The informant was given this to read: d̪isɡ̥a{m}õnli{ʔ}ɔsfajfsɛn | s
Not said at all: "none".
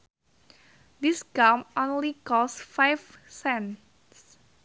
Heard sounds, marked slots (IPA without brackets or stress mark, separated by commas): m, k